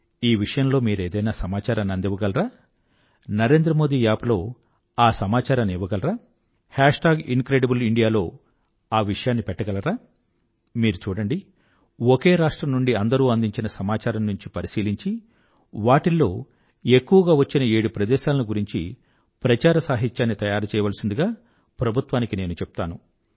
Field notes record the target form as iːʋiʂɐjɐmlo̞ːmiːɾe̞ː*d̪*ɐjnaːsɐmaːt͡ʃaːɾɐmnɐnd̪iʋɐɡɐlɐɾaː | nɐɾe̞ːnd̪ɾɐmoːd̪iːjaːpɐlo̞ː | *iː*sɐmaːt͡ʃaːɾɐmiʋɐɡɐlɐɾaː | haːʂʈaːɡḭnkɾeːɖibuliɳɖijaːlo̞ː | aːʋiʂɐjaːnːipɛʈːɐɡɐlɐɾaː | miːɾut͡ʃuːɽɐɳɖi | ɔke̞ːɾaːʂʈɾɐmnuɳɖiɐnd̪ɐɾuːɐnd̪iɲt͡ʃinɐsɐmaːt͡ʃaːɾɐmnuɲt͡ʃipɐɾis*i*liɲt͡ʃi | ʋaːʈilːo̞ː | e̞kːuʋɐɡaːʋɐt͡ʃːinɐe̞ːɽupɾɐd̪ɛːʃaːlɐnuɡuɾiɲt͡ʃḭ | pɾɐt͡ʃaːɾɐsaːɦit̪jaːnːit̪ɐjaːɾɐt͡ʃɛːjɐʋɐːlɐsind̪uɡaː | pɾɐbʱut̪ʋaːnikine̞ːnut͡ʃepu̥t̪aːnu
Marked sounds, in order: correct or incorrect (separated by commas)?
correct, incorrect, incorrect